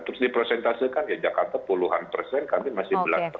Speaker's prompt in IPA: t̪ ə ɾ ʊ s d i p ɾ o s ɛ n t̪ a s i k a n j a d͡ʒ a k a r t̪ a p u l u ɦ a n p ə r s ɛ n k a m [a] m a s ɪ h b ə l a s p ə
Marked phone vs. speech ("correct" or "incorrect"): incorrect